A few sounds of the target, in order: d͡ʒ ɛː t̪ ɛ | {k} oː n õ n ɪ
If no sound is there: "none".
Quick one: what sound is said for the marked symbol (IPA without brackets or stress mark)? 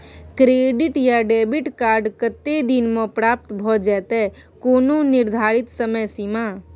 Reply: k